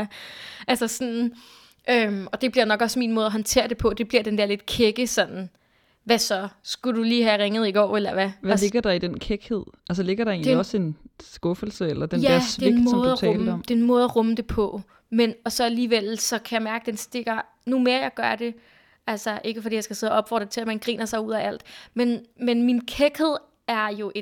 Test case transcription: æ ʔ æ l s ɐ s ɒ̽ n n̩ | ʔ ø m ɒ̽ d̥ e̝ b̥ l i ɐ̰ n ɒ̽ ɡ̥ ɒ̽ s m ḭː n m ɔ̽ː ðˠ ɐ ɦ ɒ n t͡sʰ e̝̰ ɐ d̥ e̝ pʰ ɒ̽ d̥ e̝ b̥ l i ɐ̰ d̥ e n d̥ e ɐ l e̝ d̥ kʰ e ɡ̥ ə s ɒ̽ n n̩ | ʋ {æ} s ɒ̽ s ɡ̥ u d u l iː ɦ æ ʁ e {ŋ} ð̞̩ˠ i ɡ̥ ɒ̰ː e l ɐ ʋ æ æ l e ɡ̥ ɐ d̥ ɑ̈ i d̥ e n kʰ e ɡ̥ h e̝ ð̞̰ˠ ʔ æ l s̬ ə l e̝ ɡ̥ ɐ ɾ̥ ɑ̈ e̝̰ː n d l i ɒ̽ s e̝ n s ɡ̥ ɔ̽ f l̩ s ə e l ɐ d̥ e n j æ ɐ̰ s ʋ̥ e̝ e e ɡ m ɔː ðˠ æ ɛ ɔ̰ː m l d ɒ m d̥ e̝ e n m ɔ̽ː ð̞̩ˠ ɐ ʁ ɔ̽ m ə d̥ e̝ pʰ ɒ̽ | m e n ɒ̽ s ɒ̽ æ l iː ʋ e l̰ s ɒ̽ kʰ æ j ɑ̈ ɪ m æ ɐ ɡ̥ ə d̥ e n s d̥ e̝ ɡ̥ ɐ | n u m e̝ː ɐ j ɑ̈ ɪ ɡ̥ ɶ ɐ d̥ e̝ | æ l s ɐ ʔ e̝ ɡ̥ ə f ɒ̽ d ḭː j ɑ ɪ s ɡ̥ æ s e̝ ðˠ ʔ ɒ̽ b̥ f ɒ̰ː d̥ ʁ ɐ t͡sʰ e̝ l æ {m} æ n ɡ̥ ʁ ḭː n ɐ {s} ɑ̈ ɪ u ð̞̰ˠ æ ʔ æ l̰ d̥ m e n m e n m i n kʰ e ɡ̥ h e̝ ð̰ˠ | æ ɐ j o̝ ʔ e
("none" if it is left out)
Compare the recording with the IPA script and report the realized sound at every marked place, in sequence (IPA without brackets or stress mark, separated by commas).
æ, ŋ, m, s